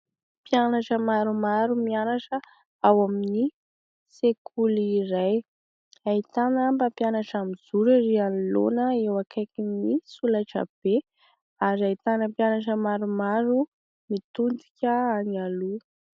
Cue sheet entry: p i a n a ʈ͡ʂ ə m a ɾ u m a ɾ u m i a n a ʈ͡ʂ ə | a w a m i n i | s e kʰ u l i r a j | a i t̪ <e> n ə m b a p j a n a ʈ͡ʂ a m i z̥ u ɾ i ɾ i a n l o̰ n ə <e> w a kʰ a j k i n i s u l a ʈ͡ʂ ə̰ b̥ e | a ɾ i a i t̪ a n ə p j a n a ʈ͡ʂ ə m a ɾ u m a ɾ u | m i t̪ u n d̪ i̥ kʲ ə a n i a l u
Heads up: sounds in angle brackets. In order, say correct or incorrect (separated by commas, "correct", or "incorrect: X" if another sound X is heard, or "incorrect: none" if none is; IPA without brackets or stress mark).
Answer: incorrect: a, correct